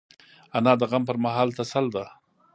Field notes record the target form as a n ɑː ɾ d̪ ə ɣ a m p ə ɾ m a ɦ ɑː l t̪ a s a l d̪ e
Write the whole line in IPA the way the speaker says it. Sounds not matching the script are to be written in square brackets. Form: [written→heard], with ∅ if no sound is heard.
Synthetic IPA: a n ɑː [ɾ→∅] d̪ ə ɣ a m p ə ɾ m a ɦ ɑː l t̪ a s a l d̪ [e→a]